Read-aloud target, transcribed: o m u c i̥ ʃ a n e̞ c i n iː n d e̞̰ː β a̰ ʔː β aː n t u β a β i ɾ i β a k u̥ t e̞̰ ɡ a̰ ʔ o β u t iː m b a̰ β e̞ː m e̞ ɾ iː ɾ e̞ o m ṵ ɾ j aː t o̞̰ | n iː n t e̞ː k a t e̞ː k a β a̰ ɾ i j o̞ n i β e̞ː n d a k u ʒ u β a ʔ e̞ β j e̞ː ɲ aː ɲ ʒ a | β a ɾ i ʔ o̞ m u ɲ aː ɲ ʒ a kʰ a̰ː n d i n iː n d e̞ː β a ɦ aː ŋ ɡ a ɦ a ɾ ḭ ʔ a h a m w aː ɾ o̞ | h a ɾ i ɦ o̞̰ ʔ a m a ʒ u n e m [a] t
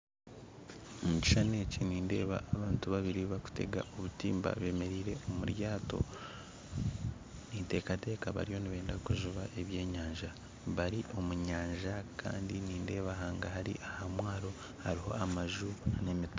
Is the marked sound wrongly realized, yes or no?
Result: yes